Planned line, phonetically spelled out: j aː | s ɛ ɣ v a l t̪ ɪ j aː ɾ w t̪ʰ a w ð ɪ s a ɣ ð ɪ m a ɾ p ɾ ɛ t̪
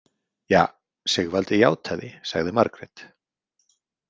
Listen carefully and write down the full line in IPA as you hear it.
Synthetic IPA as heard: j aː | s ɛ ɣ v a l t̪ ɪ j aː w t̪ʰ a ð ɪ s a ɣ ð ɪ m a ɾ k ɾ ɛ t̪